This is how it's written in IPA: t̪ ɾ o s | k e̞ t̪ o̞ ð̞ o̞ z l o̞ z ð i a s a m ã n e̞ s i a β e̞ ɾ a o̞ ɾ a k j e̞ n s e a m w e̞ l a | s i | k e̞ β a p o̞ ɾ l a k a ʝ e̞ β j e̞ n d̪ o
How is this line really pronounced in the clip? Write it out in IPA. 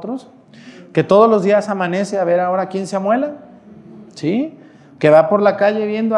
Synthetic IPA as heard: t̪ ɾ o s | k e̞ t̪ o̞ ð̞ o̞ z l o̞ z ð i a s a m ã n e̞ s e a β e̞ ɾ a o̞ ɾ a k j e̞ n s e a m w e̞ l a | s i | k e̞ β a p o̞ ɾ l a k a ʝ e̞ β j e̞ n d̪ o